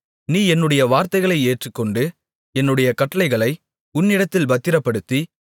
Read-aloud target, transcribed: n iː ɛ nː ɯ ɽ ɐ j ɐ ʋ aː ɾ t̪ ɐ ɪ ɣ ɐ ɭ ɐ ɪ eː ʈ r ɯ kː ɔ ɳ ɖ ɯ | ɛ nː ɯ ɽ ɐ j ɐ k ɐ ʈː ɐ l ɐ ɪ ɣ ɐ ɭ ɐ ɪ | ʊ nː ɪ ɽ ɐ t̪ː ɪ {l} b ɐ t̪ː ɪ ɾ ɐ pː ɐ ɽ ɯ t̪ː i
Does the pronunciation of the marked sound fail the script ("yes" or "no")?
no